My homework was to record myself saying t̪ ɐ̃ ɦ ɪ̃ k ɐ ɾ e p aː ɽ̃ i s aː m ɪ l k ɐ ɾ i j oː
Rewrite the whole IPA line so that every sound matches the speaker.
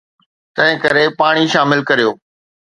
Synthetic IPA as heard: t̪ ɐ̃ ɦ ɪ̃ k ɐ ɾ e p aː ɽ̃ i ʃ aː m ɪ l k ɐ ɾ i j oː